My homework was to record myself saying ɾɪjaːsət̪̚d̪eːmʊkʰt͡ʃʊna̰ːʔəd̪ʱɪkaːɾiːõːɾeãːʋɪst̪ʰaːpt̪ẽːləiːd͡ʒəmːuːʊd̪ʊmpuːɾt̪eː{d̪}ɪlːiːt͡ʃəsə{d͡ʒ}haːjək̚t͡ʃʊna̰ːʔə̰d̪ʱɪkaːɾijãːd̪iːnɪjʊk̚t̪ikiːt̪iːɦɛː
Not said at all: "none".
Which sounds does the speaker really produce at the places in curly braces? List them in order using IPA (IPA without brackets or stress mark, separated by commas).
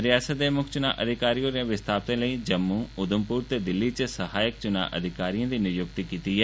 d̪, none